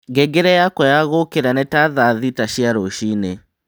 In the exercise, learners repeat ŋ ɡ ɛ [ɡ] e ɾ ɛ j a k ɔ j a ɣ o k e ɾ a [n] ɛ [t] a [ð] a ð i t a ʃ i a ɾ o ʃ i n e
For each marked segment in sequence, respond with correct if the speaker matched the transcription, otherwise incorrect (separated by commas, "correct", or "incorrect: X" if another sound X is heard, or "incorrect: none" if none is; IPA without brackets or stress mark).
correct, correct, correct, correct